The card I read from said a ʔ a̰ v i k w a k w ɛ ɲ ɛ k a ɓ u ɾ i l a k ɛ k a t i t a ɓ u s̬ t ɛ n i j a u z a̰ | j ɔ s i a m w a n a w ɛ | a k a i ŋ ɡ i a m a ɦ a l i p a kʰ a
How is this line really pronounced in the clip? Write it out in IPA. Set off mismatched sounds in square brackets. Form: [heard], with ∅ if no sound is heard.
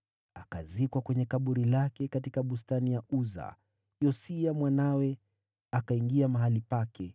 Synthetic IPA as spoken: a [k] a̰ [z] i k w a k w ɛ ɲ ɛ k a ɓ u ɾ i l a k ɛ k a t i [k] a ɓ u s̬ t [a] n i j a u z a̰ | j ɔ s i a m w a n a w ɛ | a k a i ŋ ɡ i a m a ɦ a l i p a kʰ [ɛ]